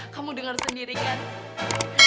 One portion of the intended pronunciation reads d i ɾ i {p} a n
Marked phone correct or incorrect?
incorrect